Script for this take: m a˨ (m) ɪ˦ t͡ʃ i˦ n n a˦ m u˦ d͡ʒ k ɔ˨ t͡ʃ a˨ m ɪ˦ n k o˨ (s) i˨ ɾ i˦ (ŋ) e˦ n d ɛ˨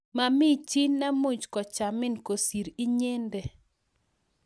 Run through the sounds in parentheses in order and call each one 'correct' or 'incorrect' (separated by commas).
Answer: correct, correct, incorrect